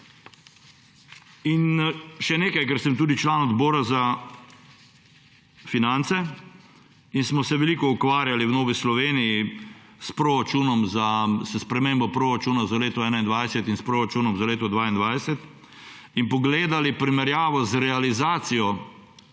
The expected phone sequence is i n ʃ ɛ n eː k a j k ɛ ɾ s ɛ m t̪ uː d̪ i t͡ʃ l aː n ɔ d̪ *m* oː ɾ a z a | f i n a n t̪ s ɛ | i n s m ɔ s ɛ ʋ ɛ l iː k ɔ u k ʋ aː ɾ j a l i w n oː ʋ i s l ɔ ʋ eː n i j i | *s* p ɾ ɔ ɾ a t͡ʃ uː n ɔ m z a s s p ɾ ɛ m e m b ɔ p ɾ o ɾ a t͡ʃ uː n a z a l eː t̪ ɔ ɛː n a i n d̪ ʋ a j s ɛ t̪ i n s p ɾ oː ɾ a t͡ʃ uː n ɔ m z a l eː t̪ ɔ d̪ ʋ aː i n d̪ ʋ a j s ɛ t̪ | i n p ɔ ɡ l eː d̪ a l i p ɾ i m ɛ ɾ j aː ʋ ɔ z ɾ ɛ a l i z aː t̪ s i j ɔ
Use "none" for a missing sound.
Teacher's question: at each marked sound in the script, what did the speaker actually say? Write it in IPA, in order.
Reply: b, s

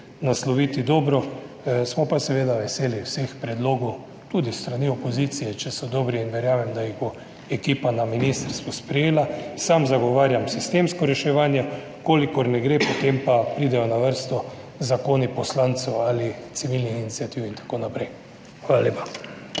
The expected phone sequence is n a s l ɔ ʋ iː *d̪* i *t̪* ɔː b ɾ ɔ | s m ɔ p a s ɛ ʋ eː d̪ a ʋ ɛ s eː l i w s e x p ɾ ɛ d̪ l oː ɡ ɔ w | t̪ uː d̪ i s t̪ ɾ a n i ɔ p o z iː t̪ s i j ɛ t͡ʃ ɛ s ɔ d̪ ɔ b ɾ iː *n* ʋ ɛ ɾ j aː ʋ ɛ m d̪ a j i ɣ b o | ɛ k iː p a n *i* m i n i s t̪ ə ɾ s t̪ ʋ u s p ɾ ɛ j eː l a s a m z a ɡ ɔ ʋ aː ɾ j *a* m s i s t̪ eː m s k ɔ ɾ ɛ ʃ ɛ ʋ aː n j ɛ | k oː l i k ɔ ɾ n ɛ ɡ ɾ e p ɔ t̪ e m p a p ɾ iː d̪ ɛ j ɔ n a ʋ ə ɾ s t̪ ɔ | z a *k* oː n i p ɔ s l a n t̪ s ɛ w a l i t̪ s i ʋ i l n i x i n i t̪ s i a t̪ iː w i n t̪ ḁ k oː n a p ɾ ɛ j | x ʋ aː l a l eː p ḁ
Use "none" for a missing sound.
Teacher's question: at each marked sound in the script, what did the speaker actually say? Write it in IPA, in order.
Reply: t̪, d̪, n, a, a, k

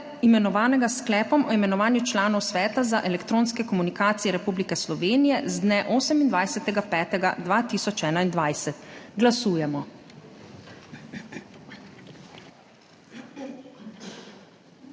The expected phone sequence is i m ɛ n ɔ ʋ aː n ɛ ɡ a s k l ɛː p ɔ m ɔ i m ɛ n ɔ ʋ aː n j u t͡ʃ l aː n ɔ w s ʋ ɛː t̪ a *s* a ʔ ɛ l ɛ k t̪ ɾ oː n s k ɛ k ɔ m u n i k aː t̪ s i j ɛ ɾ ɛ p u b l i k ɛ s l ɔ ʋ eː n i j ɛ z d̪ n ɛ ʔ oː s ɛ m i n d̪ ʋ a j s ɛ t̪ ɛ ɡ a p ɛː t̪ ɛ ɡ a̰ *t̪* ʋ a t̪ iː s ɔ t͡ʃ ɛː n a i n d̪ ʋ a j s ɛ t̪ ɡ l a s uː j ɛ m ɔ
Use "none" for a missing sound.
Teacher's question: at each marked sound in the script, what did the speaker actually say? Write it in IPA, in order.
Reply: z, d̪

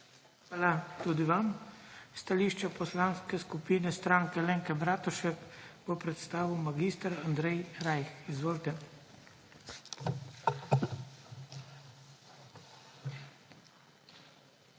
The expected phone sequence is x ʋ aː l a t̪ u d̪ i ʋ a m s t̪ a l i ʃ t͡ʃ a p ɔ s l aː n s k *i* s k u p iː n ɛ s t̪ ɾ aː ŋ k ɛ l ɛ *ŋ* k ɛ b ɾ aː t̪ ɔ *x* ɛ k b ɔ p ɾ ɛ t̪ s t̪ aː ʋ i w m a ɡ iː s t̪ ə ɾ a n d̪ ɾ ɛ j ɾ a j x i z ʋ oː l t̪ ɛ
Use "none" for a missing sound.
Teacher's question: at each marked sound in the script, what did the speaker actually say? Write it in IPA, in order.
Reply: ɛ, ŋ, ʃ

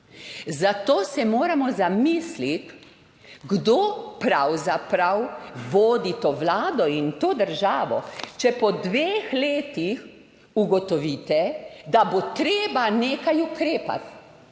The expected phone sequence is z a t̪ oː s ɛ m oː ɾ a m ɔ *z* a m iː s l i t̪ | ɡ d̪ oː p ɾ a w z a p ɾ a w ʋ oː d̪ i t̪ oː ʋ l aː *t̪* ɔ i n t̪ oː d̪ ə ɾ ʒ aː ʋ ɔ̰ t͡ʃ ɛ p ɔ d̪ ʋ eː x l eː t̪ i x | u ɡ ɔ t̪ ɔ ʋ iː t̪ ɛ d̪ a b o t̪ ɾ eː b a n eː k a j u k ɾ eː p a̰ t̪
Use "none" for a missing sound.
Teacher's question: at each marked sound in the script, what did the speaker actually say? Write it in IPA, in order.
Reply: z, d̪

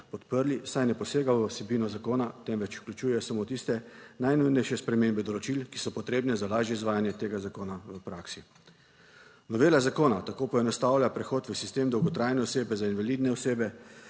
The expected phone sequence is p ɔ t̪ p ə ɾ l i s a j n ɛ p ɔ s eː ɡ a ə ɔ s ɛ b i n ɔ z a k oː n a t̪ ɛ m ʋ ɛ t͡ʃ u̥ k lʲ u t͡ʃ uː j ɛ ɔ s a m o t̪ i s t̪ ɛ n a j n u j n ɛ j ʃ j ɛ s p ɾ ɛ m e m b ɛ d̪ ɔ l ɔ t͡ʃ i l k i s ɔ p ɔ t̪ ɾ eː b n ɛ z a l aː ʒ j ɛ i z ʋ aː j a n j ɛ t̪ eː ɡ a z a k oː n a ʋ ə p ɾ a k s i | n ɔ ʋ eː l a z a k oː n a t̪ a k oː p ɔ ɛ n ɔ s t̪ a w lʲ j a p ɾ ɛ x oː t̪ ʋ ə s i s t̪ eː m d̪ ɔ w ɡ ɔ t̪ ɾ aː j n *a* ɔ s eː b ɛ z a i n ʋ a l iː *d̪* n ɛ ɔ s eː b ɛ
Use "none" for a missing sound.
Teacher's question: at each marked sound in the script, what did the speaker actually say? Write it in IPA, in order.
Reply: ɛ, d̪

